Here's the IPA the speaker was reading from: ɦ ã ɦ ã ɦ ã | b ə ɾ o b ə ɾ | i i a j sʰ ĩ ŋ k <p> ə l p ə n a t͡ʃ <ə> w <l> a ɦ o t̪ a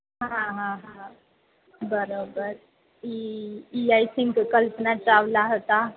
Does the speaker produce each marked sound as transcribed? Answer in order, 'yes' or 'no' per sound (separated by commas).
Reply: no, no, yes